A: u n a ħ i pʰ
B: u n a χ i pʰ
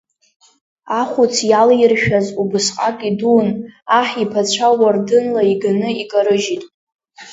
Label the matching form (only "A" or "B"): A